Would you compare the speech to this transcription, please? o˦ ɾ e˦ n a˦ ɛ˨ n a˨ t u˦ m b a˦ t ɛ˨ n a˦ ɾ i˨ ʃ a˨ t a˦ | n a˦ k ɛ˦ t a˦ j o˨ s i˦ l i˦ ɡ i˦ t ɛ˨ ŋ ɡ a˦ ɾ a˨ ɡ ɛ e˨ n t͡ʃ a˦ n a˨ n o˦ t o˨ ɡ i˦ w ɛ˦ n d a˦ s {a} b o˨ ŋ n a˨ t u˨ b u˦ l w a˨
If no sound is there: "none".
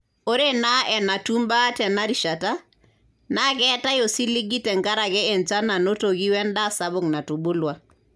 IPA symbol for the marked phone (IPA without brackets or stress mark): a